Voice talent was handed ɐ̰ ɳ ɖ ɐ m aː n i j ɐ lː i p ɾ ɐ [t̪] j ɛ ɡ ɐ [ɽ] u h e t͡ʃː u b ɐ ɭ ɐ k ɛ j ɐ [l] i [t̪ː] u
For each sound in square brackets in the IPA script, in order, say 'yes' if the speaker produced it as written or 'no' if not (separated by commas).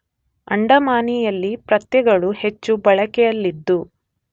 yes, no, no, no